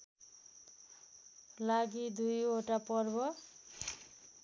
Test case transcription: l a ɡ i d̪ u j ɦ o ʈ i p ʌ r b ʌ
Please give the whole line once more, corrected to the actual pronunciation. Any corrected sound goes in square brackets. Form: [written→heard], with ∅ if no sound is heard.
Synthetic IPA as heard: l a ɡ i d̪ u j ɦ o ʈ [i→a] p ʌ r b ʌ